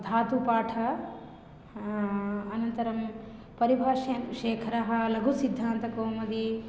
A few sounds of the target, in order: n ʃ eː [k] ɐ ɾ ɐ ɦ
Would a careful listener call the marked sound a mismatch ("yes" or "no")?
yes